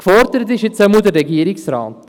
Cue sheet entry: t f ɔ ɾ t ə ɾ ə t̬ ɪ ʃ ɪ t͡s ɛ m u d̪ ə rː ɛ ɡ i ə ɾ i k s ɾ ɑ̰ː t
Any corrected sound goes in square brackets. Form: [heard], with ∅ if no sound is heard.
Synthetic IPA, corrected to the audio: [k] f ɔ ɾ [d] ə ɾ ə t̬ ɪ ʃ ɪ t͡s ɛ m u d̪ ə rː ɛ ɡ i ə ɾ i k s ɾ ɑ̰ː t